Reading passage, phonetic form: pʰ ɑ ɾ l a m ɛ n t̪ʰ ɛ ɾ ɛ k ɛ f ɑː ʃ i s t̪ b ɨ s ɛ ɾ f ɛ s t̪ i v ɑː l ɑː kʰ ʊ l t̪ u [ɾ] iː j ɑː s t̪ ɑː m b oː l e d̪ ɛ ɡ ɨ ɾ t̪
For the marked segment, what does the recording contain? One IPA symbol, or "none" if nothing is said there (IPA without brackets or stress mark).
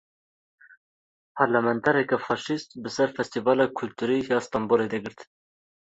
ɾ